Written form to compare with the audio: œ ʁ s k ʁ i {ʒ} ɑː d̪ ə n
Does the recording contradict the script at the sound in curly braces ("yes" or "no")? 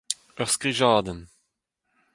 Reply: no